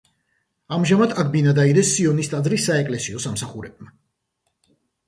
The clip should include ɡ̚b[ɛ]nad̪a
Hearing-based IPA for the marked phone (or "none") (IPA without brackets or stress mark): i